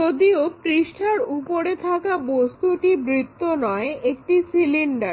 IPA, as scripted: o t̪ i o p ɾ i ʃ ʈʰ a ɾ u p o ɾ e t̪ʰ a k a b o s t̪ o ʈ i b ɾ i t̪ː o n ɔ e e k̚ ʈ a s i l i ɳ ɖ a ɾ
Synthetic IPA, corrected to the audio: o d̪ i o p ɾ i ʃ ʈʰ a ɾ u p o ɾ e t̪ʰ a k a b o s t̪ u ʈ i b ɾ i t̪ː o n ɔ e e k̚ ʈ i s i l i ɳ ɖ a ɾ